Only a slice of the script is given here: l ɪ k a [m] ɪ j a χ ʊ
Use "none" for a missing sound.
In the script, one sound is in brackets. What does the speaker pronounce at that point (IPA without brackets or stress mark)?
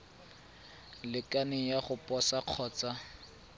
n